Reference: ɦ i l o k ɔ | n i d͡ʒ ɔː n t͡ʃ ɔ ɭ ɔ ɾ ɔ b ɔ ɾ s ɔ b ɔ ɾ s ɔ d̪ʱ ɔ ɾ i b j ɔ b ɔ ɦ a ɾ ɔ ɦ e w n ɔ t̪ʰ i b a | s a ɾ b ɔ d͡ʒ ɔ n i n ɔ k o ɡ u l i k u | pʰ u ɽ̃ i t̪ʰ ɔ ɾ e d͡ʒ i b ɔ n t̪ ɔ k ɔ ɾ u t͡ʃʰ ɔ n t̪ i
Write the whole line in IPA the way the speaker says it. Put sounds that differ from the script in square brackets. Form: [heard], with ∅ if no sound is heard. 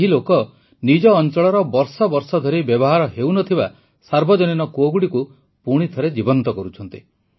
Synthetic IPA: ɦ i l o k ɔ | n i d͡ʒ ɔː n t͡ʃ ɔ ɭ ɔ ɾ ɔ b ɔ ɾ s ɔ b ɔ ɾ s ɔ d̪ʱ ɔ ɾ i b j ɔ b ɔ ɦ a ɾ ɔ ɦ e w n ɔ t̪ʰ i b a | s a ɾ b ɔ d͡ʒ ɔ n i n ɔ k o ɡ u [ɽ] i k u | [p] u ɽ̃ i t̪ʰ ɔ ɾ e d͡ʒ i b ɔ n t̪ ɔ k ɔ ɾ u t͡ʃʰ ɔ n t̪ i